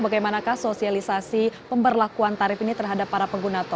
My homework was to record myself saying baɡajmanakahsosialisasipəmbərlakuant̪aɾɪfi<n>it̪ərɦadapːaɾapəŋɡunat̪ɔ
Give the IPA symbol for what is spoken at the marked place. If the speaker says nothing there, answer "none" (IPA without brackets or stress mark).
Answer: n